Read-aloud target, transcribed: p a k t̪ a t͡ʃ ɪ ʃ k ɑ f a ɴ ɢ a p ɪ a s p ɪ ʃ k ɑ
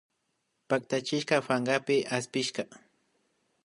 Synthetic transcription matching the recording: p a k t̪ a t͡ʃ ɪ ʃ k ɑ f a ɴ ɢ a p ɪ a s p ɪ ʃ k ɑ